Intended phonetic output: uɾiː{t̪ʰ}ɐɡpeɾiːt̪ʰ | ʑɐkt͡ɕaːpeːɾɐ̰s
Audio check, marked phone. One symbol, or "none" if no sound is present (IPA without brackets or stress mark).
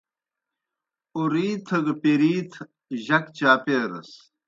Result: t̪ʰ